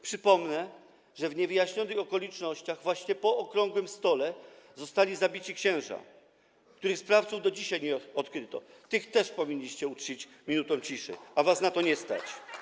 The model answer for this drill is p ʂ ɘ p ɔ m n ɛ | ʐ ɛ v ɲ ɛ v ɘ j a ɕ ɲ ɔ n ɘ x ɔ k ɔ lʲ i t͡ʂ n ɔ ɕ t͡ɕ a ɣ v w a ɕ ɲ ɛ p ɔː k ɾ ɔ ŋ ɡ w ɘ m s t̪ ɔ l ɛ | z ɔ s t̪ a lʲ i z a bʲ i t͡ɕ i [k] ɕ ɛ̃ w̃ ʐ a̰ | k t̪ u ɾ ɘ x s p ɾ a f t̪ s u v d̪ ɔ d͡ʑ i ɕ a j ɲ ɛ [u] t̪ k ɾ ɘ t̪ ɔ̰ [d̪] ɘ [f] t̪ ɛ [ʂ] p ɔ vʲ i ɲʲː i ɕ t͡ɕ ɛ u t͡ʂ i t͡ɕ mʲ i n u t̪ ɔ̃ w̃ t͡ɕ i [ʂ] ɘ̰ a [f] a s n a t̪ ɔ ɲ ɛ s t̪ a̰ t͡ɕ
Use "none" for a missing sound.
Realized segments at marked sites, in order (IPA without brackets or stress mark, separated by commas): k, ɔ, t̪, x, ʂ, ʂ, v